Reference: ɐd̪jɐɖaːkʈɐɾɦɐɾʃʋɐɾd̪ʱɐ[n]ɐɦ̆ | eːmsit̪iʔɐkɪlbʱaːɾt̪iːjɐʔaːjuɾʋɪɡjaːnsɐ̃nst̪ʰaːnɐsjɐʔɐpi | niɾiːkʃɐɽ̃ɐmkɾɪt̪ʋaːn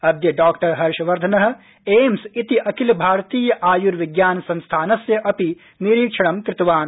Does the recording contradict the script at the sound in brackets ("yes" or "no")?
no